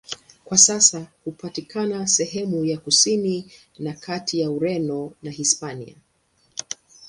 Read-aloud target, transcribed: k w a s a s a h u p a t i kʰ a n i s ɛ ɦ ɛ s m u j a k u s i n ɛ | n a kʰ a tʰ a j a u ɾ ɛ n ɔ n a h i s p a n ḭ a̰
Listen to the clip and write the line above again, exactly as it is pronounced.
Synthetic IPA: k w a s a s a h u p a t i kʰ a n a s ɛ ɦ ɛ m u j a k u s i n i | n a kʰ a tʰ i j a u ɾ ɛ n ɔ n a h i s p a n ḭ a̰